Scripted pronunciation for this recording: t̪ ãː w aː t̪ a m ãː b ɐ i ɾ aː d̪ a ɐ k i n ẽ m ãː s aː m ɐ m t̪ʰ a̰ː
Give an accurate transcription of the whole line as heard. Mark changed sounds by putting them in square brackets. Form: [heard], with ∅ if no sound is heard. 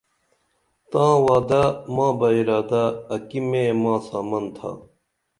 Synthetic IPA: t̪ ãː w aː [d̪] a m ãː b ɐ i ɾ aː d̪ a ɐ k i [m] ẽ m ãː s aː m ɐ [n] t̪ʰ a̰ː